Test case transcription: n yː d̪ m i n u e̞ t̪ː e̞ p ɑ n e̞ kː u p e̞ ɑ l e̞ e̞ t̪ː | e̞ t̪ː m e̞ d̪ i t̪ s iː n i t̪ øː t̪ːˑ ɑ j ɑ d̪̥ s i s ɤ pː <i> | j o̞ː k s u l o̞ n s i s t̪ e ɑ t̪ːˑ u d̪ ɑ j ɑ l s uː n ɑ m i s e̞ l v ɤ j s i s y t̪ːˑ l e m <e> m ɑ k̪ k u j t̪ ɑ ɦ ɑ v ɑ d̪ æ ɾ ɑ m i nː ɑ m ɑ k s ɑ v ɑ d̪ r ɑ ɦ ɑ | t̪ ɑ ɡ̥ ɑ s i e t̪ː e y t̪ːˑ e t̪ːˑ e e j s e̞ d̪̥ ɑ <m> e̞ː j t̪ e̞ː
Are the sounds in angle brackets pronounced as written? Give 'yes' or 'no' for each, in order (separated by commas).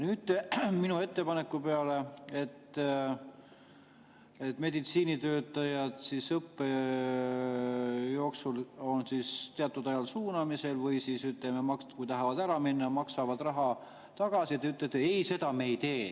no, yes, yes